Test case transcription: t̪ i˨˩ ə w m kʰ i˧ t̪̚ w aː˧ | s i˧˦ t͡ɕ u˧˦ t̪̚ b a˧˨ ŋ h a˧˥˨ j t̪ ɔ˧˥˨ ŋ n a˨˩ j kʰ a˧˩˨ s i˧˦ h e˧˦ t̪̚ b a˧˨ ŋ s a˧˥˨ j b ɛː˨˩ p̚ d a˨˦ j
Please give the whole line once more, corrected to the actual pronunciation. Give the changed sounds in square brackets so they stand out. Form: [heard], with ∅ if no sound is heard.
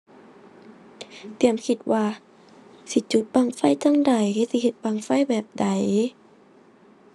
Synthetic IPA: t̪ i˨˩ ə [∅] m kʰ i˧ t̪̚ w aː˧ | s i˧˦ t͡ɕ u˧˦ t̪̚ b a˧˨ ŋ [f] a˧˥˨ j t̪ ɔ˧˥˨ ŋ [d] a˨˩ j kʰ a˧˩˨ s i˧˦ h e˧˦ t̪̚ b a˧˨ ŋ [f] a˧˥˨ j b ɛː˨˩ p̚ d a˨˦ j